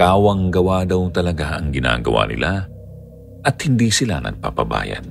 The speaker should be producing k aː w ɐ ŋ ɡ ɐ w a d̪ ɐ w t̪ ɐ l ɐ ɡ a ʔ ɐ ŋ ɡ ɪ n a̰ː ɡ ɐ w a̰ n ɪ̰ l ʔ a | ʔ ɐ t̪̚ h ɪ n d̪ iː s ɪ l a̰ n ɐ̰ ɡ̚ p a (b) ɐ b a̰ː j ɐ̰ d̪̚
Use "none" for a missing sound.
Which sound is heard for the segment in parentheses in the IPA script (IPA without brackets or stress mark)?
p